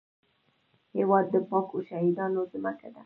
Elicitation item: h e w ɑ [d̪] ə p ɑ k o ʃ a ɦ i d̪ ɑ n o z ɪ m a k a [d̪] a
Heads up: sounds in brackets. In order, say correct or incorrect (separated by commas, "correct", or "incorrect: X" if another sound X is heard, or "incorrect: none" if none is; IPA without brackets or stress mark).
incorrect: d̪ː, correct